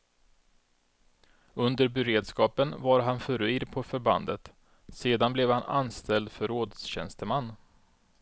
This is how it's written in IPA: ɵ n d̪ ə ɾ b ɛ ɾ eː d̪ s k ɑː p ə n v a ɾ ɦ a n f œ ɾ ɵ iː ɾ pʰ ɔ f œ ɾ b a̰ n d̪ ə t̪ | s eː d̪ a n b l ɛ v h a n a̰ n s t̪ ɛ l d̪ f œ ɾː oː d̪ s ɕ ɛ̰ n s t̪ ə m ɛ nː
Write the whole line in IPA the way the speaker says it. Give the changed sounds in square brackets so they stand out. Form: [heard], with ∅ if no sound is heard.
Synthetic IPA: ɵ n d̪ ə ɾ b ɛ ɾ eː d̪ s k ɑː p ə n v a ɾ ɦ a n f œ ɾ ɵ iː ɾ pʰ ɔ f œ ɾ b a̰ n d̪ ə t̪ | s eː d̪ a n b l ɛ v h a n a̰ n s t̪ ɛ l d̪ f œ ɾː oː d̪ s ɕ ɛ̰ n s t̪ ə m [a] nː